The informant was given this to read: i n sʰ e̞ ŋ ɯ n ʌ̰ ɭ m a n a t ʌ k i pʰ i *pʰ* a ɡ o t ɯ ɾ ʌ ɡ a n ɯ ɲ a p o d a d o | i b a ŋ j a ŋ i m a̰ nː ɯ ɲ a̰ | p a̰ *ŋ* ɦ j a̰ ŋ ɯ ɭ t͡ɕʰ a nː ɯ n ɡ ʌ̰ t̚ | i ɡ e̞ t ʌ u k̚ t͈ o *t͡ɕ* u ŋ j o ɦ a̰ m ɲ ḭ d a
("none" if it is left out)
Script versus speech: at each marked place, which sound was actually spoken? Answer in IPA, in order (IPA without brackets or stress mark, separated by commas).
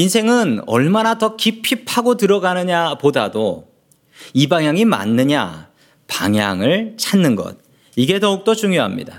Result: pʰ, ŋ, t͡ɕ